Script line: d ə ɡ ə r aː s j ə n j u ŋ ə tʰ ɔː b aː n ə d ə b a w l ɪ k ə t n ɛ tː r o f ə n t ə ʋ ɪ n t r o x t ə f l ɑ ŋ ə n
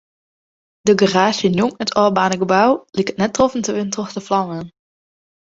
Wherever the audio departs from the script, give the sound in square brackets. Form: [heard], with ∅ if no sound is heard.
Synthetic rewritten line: d ə ɡ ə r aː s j ə n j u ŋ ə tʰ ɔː b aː n ə [ɡ] ə b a w l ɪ k ə t n ɛ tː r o f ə n t ə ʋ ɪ n t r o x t ə f l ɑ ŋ ə n